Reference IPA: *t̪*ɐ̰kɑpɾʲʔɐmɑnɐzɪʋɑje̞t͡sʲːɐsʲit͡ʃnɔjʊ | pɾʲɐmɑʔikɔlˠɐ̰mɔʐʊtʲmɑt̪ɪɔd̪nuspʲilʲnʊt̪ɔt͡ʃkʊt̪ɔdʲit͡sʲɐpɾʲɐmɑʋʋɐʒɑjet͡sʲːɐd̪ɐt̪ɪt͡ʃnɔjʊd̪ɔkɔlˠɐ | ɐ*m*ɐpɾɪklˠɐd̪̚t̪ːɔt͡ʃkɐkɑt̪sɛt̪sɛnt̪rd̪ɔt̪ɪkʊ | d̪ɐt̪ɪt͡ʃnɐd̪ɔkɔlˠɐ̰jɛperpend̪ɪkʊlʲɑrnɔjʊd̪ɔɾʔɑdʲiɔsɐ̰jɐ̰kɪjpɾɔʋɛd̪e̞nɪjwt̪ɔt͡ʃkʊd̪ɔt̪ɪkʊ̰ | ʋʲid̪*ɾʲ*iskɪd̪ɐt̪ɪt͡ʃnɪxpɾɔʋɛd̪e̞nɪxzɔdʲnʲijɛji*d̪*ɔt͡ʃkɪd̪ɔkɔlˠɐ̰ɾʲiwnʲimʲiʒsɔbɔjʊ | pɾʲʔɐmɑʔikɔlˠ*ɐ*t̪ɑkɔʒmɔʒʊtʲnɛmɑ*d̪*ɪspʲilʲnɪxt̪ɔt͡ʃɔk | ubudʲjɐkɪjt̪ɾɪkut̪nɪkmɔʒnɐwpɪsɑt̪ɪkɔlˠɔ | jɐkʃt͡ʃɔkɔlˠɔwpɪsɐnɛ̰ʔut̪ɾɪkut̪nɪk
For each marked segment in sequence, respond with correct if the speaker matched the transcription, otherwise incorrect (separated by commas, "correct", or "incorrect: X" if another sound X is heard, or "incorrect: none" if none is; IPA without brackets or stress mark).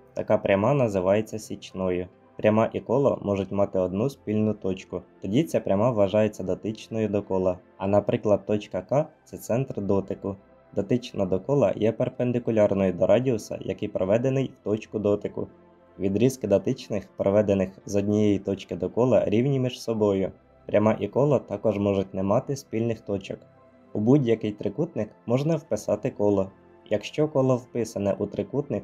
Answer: correct, incorrect: n, correct, incorrect: t̪, correct, incorrect: t̪